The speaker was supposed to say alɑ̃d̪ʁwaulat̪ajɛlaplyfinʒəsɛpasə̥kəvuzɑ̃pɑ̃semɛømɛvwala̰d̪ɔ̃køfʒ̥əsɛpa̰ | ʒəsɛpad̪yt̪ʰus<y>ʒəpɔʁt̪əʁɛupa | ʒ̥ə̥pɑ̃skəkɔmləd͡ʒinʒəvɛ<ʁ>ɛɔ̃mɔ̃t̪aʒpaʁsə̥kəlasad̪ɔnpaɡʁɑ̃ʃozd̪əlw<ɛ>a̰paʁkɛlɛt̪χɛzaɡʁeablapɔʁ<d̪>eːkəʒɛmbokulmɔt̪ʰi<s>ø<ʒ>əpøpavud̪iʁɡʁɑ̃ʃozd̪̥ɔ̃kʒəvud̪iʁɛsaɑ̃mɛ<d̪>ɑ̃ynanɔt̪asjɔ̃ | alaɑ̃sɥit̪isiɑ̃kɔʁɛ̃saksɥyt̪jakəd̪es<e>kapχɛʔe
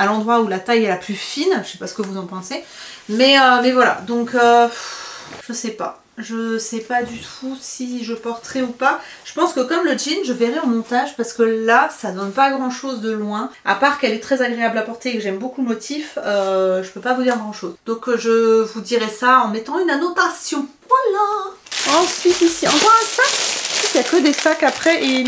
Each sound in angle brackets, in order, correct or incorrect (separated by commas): incorrect, correct, incorrect, incorrect, incorrect, correct, incorrect, incorrect